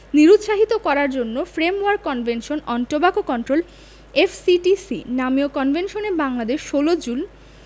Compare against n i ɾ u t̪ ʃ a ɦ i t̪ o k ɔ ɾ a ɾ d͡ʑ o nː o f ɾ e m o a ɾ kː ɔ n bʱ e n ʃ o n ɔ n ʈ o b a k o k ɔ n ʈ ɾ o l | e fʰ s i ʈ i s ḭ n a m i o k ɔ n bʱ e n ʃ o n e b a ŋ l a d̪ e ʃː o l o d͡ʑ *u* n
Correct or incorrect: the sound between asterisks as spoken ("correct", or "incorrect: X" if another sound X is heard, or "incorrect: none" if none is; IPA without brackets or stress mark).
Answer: correct